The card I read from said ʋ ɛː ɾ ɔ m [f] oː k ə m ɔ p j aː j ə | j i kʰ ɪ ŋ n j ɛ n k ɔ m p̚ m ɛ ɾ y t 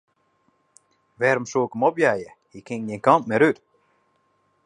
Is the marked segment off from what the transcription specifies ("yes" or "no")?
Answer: yes